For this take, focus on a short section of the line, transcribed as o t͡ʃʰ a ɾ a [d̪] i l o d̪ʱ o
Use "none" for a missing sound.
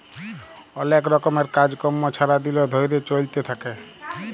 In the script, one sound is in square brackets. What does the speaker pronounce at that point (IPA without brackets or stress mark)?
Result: d̪